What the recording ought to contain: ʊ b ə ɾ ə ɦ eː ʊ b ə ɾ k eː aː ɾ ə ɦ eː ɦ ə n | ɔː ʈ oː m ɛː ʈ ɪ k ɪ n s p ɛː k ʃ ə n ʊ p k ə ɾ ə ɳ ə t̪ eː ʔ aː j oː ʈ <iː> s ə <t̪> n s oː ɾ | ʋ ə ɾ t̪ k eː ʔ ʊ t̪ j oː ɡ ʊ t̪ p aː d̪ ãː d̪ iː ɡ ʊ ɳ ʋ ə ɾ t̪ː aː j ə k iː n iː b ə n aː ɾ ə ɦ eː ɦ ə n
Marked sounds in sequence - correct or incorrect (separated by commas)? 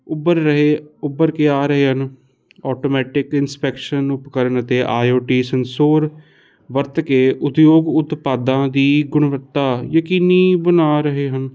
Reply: correct, incorrect